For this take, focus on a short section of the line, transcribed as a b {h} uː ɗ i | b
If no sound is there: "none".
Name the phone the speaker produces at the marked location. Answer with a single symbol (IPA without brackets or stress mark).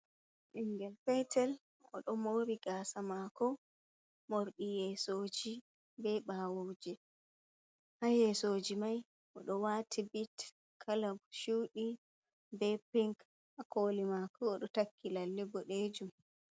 ʃ